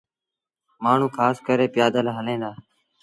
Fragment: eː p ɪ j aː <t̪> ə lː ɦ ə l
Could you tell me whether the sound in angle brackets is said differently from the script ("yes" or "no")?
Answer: yes